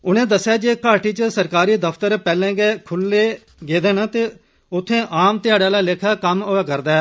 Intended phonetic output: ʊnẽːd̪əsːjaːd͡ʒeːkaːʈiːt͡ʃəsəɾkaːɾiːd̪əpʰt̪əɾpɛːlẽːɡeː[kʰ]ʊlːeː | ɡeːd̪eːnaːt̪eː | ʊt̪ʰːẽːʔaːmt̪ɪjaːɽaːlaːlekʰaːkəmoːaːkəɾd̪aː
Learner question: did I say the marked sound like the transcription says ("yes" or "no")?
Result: yes